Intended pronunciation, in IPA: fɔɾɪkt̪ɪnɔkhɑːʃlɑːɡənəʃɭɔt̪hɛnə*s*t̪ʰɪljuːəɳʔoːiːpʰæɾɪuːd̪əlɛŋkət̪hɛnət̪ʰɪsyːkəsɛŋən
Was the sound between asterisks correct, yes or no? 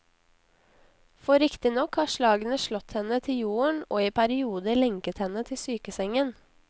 no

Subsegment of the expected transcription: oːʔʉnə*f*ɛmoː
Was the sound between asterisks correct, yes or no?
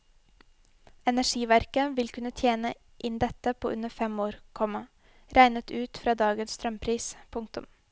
yes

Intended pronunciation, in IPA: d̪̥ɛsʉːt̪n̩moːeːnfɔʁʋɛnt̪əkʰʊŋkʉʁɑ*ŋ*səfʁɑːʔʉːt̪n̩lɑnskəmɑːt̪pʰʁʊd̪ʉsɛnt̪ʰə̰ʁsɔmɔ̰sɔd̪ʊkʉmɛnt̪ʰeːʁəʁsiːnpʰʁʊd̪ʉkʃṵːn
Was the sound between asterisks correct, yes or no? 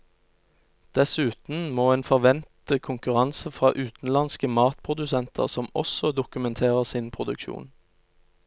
no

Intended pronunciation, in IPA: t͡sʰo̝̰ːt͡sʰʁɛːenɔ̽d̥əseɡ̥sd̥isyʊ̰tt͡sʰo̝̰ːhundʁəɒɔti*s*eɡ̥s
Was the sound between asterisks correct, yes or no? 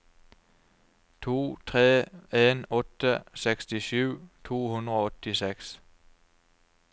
yes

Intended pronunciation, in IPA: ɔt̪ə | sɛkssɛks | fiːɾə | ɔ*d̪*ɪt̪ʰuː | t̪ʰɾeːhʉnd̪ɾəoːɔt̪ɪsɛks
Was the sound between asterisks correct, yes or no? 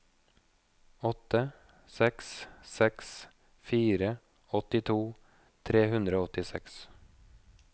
no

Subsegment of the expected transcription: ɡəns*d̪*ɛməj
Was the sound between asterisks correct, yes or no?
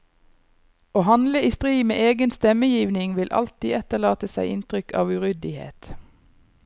no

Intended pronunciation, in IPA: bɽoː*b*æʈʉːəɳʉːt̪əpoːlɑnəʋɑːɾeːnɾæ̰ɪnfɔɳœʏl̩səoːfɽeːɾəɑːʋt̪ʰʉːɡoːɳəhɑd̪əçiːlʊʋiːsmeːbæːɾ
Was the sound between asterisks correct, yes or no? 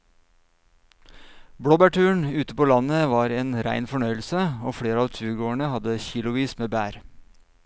yes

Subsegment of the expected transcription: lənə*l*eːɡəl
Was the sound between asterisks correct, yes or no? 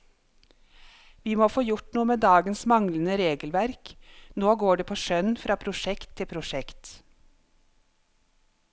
no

